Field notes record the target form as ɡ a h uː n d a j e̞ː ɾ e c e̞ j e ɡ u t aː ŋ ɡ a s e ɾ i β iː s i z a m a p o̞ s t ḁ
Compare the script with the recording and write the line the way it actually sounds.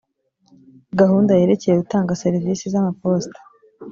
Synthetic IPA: ɡ a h uː n d a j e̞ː ɾ e c e̞ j e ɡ u t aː ŋ ɡ a s e ɾ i v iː s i z a m a p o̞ s t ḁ